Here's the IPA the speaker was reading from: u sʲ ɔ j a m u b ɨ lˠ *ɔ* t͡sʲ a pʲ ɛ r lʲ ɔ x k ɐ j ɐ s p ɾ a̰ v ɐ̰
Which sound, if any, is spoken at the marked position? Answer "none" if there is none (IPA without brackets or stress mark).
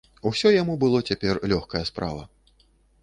ɔ